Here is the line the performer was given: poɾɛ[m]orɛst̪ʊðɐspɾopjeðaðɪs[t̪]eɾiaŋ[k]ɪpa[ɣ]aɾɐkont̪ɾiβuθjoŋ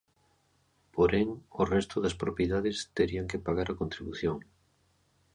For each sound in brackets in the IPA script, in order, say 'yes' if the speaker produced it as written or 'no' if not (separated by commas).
no, yes, yes, yes